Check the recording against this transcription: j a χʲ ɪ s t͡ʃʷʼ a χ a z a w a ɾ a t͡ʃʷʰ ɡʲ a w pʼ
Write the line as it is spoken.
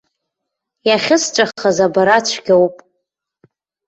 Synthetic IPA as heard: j a χʲ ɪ s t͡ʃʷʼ a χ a z a b a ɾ a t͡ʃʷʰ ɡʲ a w pʼ